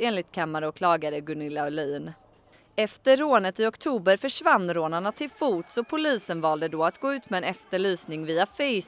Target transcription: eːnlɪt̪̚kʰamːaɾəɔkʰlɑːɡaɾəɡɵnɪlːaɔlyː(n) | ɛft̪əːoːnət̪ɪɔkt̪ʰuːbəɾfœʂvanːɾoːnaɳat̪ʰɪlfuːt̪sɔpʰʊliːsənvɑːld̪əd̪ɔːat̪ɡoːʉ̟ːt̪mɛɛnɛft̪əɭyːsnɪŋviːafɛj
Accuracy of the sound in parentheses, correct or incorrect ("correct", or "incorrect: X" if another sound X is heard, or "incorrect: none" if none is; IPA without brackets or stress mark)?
correct